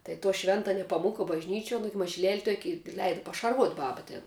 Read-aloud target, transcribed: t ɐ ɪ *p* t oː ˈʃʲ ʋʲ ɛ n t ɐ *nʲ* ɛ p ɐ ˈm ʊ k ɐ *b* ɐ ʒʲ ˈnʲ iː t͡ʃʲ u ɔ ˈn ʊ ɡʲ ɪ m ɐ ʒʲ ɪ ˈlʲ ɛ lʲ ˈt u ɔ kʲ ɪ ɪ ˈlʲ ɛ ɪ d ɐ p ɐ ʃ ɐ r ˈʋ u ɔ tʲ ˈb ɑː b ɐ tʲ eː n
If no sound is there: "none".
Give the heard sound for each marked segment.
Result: none, nʲ, b

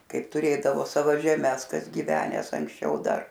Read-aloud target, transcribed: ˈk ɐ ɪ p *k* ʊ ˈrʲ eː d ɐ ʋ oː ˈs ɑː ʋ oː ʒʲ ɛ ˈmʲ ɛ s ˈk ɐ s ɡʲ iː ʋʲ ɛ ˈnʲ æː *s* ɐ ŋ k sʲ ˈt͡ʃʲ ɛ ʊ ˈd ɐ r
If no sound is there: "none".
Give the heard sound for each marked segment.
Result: t, s

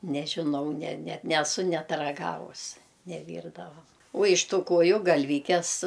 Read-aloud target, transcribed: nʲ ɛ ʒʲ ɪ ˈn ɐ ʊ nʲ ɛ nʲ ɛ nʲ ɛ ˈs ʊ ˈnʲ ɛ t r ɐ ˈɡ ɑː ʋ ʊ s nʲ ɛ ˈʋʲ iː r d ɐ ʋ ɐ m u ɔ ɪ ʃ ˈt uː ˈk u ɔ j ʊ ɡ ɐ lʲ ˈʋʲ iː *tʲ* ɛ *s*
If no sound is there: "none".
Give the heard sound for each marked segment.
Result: kʲ, s

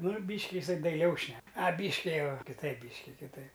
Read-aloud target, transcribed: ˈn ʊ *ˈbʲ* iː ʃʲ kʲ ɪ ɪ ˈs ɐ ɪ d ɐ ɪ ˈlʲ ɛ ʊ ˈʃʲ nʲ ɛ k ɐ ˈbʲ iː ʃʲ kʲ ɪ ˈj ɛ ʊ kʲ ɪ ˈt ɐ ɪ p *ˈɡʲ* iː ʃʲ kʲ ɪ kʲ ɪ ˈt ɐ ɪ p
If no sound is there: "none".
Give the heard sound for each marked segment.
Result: bʲ, bʲ

